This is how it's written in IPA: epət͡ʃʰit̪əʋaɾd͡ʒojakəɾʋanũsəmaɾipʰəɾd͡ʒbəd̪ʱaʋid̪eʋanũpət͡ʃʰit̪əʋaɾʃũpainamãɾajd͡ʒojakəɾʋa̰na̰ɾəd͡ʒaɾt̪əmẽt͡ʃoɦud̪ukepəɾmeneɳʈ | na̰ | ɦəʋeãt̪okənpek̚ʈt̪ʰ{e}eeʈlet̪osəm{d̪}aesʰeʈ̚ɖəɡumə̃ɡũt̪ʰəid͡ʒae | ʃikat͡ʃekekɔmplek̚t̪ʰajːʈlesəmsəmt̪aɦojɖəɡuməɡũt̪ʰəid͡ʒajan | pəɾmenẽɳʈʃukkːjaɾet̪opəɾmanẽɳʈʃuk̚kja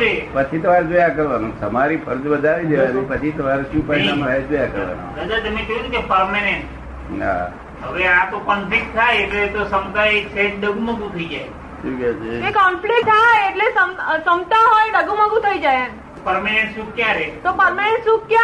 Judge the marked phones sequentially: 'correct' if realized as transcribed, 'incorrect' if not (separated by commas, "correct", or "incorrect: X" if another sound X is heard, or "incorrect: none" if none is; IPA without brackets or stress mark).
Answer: incorrect: a, incorrect: t̪